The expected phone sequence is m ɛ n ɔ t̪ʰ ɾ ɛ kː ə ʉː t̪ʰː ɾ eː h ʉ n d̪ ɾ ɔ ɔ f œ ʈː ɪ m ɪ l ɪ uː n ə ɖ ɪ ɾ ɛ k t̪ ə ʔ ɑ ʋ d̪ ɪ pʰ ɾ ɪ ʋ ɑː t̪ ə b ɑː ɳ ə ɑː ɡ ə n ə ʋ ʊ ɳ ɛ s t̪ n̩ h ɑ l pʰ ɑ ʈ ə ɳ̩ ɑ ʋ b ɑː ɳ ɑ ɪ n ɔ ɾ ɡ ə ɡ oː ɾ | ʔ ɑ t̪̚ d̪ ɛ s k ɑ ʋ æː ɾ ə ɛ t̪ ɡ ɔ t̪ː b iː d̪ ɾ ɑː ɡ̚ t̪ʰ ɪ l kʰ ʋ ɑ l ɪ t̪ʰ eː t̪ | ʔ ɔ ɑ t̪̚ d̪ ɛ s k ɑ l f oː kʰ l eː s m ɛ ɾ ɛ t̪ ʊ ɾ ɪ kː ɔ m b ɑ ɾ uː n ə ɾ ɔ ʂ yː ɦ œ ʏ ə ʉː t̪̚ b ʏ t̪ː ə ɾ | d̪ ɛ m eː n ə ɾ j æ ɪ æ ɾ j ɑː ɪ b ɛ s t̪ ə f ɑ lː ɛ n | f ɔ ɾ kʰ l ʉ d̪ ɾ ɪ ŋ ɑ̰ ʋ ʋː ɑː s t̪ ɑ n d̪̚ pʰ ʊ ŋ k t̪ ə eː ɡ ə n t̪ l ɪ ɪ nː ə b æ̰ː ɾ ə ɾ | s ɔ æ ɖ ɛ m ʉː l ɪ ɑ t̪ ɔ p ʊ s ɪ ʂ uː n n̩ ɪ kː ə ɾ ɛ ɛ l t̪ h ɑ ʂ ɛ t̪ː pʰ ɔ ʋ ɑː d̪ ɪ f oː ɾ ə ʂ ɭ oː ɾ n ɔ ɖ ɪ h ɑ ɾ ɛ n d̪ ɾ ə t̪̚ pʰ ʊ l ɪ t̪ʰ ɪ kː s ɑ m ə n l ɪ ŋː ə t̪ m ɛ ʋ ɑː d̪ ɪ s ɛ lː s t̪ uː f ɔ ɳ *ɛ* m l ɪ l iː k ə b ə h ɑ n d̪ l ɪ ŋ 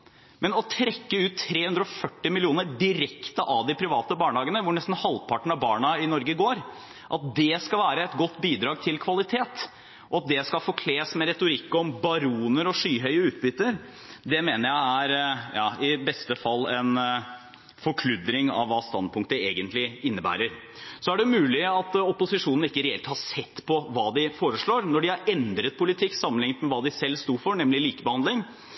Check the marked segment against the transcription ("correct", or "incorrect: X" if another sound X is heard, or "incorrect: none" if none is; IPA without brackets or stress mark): correct